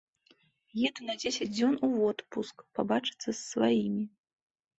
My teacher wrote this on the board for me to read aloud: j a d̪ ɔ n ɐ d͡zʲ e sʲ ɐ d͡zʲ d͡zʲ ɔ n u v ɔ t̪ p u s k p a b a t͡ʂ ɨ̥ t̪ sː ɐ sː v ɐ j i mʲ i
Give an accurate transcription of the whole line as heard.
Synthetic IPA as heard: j ɛ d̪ u n ɐ d͡zʲ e sʲ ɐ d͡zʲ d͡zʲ ɔ n u v ɔ t̪ p u s k p a b a t͡ʂ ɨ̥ t̪ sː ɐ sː v a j i mʲ i

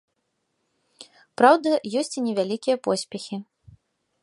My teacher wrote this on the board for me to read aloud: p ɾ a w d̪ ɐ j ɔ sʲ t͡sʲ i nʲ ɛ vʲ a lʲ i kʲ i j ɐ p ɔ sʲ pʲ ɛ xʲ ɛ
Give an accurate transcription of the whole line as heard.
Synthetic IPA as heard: p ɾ a w d̪ ɐ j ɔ sʲ t͡sʲ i nʲ ɛ vʲ a lʲ i kʲ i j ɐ p ɔ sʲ pʲ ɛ xʲ i

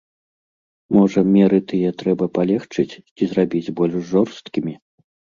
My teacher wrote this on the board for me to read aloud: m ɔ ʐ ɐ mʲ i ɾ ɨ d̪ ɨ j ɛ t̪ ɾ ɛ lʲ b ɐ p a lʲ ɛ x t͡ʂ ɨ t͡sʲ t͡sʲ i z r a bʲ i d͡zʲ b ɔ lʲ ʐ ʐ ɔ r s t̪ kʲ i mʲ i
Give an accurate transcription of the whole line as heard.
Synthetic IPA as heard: m ɔ ʐ ɐ mʲ ɛ ɾ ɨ t̪ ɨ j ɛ t̪ ɾ ɛ b ɐ p a lʲ ɛ x t͡ʂ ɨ t͡sʲ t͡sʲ i z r a bʲ i d͡zʲ b ɔ lʲ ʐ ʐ ɔ r s t̪ kʲ i mʲ i

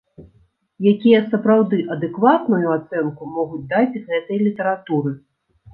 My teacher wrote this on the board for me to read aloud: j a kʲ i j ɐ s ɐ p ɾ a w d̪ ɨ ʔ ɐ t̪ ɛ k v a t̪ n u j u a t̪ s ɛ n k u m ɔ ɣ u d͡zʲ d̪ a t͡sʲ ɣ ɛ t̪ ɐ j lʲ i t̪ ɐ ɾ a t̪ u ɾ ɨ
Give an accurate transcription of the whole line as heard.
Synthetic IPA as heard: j a kʲ i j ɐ s ɐ p ɾ a w d̪ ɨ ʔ ɐ d̪ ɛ k v a t̪ n u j u a t̪ s ɛ n k u m ɔ ɣ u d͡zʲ d̪ a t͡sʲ ɣ ɛ t̪ ɐ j lʲ i t̪ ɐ ɾ a t̪ u ɾ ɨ

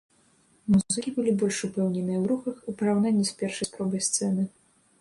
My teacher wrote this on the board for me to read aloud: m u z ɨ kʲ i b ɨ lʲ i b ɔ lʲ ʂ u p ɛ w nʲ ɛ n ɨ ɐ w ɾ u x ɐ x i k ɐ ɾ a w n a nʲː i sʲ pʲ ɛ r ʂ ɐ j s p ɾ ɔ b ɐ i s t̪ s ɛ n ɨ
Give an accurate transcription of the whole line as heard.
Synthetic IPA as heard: m u z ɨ kʲ i b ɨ lʲ i b ɔ lʲ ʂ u p ɛ w nʲ ɛ n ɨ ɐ w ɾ u x ɐ x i p ɐ ɾ a w n a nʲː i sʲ pʲ ɛ r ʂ ɐ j s p ɾ ɔ b ɐ j s t̪ s ɛ n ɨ

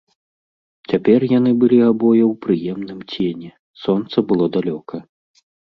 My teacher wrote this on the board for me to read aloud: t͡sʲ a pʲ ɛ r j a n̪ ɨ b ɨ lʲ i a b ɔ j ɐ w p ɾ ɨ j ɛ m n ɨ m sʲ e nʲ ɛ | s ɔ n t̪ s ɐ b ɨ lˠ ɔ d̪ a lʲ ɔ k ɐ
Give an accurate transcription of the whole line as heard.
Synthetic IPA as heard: t͡sʲ a pʲ ɛ r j a n̪ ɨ b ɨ lʲ i a b ɔ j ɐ w p ɾ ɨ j ɛ m n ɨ m t͡sʲ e nʲ ɛ | s ɔ n t̪ s ɐ b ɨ lˠ ɔ d̪ a lʲ ɔ k ɐ

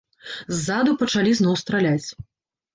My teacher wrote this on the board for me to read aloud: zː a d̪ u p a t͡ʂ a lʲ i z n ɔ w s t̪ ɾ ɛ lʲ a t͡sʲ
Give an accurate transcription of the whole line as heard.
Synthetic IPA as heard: zː a d̪ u p ɐ t͡ʂ a lʲ i z n ɔ w s t̪ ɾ a lʲ a t͡sʲ

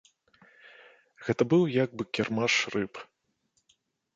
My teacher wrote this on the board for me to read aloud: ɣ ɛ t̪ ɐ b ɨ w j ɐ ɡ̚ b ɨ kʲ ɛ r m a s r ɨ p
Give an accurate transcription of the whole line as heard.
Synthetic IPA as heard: ɣ ɛ t̪ ɐ b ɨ w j a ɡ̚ b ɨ kʲ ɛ r m a ʂ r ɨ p

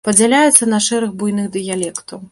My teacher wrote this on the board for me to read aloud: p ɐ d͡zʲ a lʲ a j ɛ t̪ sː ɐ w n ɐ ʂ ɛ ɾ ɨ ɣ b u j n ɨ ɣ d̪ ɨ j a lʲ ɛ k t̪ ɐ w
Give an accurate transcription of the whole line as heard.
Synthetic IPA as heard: p ɐ d͡zʲ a lʲ a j ɛ t̪ sː ɐ n ɐ ʂ ɛ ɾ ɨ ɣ b u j n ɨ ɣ d̪ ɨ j a lʲ ɛ k t̪ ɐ w

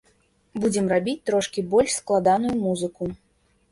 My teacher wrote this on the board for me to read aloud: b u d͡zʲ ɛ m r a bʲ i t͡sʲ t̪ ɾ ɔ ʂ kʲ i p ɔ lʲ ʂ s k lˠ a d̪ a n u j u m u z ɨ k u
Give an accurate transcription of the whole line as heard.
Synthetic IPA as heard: b u d͡zʲ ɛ m r a bʲ i t͡sʲ t̪ ɾ ɔ ʂ kʲ i b ɔ lʲ ʂ s k lˠ a d̪ a n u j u m u z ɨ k u

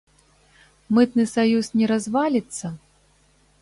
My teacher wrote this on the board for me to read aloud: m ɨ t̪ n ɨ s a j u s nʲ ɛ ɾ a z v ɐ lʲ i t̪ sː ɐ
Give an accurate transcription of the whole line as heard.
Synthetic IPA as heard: m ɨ t̪ n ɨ s a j u s nʲ ɛ ɾ a z v a lʲ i t̪ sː ɐ

